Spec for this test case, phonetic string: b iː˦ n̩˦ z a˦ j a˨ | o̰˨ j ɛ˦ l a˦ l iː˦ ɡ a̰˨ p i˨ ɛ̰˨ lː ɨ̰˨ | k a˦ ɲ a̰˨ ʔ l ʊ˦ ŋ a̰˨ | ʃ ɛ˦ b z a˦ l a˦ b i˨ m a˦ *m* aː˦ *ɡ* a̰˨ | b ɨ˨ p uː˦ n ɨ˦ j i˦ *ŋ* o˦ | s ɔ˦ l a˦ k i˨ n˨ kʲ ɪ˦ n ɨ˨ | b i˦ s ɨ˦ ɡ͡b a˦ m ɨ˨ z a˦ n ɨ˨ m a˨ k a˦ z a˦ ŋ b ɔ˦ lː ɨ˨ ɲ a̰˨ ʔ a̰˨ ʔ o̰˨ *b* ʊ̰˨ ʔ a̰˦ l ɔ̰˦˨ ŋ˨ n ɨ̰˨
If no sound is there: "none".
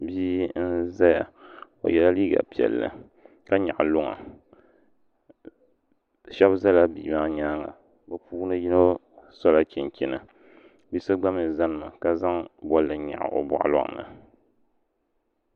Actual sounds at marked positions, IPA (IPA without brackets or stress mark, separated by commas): ɲ, ŋ, n, b